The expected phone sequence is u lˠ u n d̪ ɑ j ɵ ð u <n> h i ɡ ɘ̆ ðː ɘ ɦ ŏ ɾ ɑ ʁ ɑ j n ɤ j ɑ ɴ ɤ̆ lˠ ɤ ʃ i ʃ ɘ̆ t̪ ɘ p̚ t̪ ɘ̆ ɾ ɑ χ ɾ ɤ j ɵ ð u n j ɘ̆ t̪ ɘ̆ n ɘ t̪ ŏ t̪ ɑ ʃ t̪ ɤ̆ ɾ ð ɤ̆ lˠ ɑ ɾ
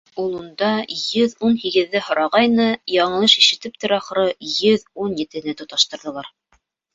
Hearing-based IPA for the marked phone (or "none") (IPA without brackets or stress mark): n